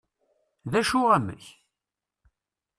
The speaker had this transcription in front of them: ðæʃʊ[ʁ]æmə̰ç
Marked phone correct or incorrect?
correct